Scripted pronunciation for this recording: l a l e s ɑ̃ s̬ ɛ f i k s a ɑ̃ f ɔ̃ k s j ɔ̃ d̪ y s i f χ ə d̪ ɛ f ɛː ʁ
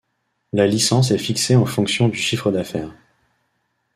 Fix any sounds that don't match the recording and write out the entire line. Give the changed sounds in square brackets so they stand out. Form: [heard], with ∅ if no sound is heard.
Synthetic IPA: l a l [i] s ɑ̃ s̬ ɛ f i k s [e] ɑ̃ f ɔ̃ k s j ɔ̃ d̪ y [ʃ] i f χ ə d̪ [a] f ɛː ʁ